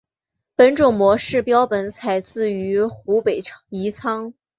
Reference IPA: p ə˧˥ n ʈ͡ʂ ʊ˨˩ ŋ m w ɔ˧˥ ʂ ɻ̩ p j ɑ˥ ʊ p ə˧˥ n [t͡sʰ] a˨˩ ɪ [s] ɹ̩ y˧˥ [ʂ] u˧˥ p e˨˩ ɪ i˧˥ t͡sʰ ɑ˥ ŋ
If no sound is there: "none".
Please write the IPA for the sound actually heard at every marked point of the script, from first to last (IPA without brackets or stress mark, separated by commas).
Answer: t͡sʰ, t͡s, x